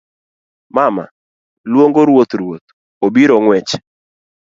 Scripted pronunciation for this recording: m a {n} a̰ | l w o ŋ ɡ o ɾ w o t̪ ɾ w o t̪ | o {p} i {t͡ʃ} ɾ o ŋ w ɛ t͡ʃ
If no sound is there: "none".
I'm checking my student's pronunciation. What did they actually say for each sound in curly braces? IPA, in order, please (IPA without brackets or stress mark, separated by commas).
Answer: m, b, none